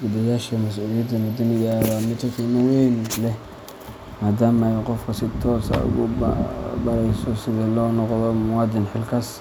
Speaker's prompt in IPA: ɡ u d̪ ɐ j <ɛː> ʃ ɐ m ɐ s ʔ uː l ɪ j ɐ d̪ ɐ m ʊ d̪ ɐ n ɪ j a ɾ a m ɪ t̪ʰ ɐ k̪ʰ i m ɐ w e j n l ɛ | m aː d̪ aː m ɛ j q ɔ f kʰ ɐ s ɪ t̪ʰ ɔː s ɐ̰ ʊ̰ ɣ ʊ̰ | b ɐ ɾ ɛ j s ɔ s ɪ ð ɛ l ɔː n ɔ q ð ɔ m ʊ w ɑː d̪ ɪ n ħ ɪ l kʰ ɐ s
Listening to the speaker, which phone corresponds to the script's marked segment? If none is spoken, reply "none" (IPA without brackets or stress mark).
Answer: aː